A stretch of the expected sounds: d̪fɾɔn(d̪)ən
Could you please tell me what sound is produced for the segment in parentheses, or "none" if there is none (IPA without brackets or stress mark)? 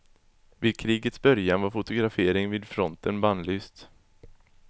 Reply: t̪